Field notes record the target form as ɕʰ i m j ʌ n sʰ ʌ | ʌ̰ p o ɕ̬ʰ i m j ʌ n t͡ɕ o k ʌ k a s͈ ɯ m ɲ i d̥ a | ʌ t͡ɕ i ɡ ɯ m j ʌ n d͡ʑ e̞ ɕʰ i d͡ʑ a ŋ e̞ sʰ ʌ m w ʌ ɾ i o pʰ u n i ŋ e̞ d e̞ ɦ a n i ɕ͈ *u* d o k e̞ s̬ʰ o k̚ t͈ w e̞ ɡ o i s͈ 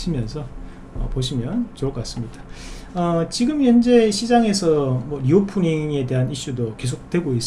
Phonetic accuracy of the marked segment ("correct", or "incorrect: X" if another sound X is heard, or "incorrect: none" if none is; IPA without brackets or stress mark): correct